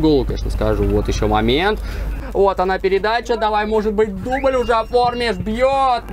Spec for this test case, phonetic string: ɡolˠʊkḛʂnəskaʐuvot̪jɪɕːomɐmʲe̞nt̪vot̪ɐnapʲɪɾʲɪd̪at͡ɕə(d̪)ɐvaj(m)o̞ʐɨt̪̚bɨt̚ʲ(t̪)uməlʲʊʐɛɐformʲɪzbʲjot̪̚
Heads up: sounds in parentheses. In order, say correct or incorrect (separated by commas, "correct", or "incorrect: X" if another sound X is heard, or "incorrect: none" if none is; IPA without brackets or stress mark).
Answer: correct, correct, incorrect: d̪